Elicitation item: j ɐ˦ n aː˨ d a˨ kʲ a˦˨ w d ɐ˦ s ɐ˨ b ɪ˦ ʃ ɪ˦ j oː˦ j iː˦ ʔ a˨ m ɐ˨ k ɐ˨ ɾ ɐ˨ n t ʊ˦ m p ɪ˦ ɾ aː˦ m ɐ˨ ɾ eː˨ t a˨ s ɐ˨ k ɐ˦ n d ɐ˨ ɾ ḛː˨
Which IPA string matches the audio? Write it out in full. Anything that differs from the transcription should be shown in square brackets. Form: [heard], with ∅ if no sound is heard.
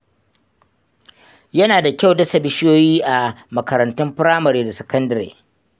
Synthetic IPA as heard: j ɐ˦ n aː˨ d a˨ kʲ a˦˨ w d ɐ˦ s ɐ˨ b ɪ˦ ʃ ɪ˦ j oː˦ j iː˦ ʔ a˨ m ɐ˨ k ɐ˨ ɾ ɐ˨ n t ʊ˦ m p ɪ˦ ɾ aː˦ m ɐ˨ ɾ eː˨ [d] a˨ s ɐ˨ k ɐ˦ n d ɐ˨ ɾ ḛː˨